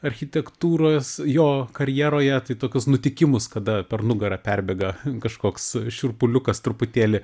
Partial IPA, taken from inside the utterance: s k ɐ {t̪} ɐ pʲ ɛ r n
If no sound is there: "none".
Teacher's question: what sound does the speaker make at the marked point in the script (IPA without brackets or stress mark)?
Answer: d̪